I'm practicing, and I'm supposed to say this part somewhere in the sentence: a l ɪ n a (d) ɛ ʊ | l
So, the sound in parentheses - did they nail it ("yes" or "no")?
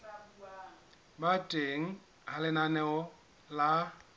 no